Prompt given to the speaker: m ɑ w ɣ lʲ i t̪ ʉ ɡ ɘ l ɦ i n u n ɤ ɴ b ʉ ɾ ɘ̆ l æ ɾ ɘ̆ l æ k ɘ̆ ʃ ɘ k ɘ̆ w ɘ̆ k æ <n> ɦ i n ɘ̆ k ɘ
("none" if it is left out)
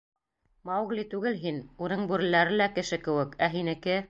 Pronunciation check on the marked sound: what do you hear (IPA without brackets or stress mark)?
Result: none